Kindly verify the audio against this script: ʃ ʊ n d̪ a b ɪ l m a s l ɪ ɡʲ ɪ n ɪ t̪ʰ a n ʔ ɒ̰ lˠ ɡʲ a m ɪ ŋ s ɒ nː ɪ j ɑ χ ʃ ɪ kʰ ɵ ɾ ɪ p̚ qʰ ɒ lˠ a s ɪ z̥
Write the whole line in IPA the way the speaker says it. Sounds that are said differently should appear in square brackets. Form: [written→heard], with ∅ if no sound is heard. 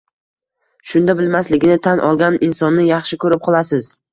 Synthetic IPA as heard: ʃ ʊ n d̪ a b ɪ l m a s l ɪ ɡʲ ɪ n ɪ t̪ʰ a n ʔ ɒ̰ lˠ ɡʲ a [m→n] ɪ [ŋ→n] s ɒ nː ɪ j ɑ χ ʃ ɪ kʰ ɵ ɾ ɪ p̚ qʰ ɒ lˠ a s ɪ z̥